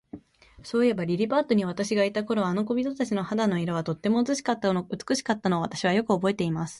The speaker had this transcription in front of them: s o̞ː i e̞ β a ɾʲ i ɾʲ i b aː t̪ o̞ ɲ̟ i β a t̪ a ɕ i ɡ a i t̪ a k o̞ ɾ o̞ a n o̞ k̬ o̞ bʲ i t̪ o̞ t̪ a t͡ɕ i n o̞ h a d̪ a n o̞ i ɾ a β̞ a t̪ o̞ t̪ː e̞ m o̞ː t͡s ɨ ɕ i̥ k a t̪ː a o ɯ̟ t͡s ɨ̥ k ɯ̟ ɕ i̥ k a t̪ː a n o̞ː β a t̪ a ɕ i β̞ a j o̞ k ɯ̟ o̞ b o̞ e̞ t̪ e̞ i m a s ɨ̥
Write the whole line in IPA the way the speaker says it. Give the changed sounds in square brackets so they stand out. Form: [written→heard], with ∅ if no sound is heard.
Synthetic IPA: s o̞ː i e̞ [β→b] a ɾʲ i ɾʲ i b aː t̪ o̞ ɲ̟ i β a t̪ a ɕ i ɡ a i t̪ a k o̞ ɾ o̞ a n o̞ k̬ o̞ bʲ i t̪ o̞ t̪ a t͡ɕ i n o̞ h a d̪ a n o̞ i ɾ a β̞ a t̪ o̞ t̪ː e̞ m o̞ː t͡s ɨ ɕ i̥ k a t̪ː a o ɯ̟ t͡s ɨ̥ k ɯ̟ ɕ i̥ k a t̪ː a n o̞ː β a t̪ a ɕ i β̞ a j o̞ k ɯ̟ o̞ b o̞ e̞ t̪ e̞ i m a s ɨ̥

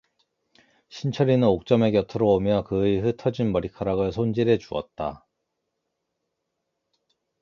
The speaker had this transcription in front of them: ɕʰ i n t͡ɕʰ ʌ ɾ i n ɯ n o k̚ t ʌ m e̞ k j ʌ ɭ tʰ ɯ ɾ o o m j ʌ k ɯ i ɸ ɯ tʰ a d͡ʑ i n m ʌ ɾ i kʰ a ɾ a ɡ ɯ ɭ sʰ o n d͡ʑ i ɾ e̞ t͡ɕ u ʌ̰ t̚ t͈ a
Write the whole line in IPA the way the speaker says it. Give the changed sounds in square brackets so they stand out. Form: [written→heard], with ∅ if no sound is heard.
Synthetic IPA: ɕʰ i n t͡ɕʰ ʌ ɾ i n ɯ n o k̚ [t→t͡ɕ͈] ʌ m e̞ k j ʌ [ɭ→∅] tʰ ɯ ɾ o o m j ʌ k ɯ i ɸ ɯ tʰ [a→ʌ] d͡ʑ i n m ʌ ɾ i kʰ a ɾ a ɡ ɯ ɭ sʰ o n d͡ʑ i ɾ e̞ t͡ɕ u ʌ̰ t̚ t͈ a

